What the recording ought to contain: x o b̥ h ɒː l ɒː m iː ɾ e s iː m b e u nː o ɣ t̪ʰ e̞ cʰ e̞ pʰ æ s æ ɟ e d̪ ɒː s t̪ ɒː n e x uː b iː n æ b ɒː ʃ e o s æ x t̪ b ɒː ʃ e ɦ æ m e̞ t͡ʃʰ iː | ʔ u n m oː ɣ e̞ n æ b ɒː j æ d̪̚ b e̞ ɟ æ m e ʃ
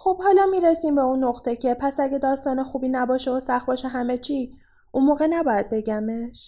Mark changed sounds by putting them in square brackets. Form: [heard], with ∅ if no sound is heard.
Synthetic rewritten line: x o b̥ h ɒː l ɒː m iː ɾ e s iː m b e u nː o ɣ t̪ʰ e̞ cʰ e̞ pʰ æ s æ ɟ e d̪ ɒː s t̪ ɒː n e x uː b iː n æ b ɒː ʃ e o s æ x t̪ b ɒː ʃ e ɦ æ m e̞ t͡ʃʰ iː | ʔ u n m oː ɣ e̞ n æ b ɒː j æ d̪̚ b e̞ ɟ æ m e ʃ